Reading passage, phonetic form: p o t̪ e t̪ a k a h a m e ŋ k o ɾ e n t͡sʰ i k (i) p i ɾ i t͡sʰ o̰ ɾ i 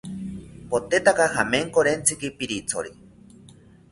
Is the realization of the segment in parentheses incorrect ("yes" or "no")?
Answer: no